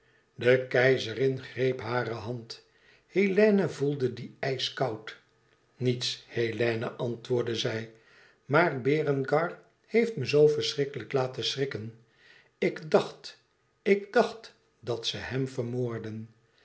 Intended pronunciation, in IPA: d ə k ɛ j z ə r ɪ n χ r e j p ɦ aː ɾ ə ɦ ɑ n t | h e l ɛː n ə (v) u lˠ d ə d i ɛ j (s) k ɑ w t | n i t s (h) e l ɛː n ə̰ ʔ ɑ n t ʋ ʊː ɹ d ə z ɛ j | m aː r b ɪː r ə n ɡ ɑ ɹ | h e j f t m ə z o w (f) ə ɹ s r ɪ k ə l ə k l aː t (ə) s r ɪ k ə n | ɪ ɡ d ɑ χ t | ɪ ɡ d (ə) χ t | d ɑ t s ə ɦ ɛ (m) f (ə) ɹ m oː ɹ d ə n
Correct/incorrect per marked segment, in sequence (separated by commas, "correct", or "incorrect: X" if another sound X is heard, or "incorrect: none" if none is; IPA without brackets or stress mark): correct, correct, correct, correct, correct, incorrect: ɑ, correct, correct